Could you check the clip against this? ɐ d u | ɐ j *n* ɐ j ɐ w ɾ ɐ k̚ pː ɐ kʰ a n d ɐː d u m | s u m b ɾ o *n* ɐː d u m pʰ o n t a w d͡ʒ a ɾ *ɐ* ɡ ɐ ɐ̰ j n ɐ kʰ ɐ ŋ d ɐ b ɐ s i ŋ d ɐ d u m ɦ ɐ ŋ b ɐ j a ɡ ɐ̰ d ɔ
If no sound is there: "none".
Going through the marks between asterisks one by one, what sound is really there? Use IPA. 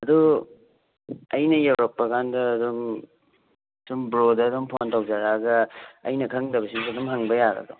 n, d, a

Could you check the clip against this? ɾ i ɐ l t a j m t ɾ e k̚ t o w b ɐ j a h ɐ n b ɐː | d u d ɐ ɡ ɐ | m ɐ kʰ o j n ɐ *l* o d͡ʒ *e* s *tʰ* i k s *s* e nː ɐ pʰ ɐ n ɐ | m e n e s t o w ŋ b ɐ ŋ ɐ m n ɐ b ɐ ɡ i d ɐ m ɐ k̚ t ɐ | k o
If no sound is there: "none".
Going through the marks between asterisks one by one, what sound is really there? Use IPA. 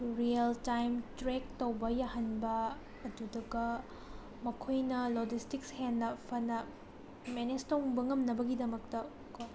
l, i, t, h

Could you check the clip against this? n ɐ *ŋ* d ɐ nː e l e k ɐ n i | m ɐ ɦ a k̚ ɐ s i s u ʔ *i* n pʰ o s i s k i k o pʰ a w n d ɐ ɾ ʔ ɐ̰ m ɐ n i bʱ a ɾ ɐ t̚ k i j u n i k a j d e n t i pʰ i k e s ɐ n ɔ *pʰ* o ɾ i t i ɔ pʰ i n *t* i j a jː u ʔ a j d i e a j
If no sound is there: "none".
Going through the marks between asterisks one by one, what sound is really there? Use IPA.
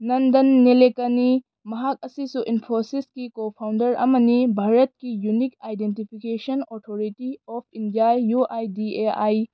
n, i, tʰ, d

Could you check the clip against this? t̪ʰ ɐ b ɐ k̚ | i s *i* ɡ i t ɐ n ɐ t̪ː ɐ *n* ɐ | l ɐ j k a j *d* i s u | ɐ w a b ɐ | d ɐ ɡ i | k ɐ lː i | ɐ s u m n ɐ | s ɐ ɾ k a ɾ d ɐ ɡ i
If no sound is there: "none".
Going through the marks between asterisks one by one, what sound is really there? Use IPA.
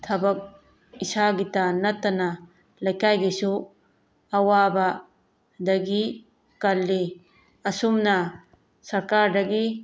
a, n, ɡ

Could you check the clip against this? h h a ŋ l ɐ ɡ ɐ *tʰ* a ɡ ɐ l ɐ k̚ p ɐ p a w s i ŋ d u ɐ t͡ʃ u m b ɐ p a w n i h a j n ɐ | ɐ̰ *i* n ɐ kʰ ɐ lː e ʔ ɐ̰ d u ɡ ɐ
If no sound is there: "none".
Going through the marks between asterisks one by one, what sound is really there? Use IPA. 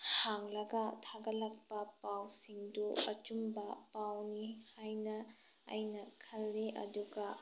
tʰ, j

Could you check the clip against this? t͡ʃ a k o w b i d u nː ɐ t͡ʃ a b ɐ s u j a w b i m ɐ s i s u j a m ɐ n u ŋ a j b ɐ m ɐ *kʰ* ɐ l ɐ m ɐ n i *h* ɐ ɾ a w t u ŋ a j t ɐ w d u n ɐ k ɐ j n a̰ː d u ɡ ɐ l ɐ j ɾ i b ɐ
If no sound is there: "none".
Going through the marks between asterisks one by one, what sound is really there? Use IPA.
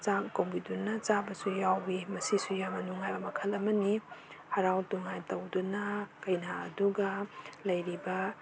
kʰ, h

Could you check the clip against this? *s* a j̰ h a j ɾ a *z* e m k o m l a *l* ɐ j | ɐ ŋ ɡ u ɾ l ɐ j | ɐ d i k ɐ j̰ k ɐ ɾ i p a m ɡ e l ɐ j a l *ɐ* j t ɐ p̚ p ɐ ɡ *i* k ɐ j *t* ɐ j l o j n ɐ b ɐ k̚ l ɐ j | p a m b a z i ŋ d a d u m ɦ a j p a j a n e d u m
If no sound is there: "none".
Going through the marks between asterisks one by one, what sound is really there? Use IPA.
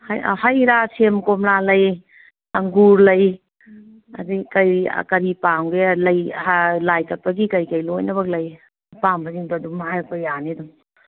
h, s, l, a, i, k

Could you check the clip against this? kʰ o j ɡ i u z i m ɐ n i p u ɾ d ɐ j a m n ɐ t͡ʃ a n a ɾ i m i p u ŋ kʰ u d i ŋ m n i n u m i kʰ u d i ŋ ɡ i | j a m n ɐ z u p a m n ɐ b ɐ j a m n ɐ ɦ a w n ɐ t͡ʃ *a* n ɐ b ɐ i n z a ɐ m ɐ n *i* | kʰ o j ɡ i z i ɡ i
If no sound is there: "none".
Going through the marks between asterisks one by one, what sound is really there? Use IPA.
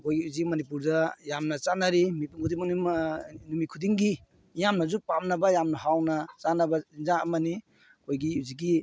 a, i

